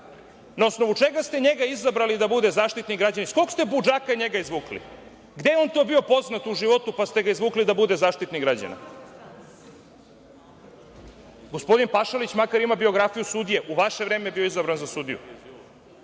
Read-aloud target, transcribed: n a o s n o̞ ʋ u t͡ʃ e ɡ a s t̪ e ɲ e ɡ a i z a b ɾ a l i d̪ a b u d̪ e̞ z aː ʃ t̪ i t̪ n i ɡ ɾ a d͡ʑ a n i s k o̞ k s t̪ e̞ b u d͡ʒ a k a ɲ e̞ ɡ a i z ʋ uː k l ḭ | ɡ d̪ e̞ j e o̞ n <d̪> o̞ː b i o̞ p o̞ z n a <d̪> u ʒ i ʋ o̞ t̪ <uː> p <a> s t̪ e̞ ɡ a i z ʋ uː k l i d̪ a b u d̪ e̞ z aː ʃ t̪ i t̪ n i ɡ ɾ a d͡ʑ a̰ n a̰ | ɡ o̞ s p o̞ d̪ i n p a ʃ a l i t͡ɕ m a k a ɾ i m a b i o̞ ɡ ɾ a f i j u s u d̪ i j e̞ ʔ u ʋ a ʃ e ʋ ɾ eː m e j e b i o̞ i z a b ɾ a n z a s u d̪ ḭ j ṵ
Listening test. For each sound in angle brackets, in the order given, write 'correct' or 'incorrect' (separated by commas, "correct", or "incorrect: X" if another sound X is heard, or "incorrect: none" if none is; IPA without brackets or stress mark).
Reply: incorrect: t̪, incorrect: t̪, incorrect: u, correct